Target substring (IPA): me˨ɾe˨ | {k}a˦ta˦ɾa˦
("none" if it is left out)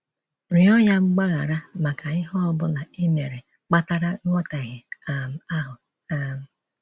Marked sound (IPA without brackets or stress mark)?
k͡p